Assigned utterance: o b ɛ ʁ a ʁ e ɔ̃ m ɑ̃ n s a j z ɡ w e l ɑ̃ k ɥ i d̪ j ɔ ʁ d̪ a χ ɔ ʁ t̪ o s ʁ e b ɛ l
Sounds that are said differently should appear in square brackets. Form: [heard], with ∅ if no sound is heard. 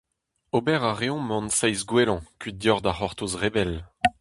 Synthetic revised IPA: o b ɛ ʁ a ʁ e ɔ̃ m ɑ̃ n s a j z ɡ w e l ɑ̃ k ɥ i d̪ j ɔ ʁ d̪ a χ ɔ ʁ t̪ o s ʁ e b ɛ l